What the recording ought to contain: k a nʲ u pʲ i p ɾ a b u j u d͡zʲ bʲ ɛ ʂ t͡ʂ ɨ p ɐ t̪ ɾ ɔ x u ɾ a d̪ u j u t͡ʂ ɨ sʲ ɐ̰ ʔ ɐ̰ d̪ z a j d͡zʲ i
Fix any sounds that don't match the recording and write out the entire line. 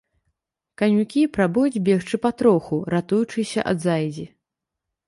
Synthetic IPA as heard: k a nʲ u kʲ i p ɾ a b u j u d͡zʲ bʲ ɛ x t͡ʂ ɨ p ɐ t̪ ɾ ɔ x u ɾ a t̪ u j u t͡ʂ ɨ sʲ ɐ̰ ʔ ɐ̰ d̪ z a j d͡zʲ i